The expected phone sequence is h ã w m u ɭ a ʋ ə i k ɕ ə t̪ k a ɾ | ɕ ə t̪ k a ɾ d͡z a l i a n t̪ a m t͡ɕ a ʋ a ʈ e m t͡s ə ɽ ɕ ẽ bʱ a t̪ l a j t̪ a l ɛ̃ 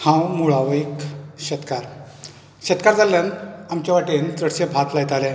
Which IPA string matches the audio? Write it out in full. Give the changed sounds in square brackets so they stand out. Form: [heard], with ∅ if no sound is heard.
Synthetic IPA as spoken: h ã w m u ɭ a ʋ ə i k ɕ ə t̪ k a ɾ | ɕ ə t̪ k a ɾ d͡z a l [j] a n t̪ a m t͡ɕ a ʋ a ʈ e [n] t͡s ə ɽ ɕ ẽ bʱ a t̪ l a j t̪ a l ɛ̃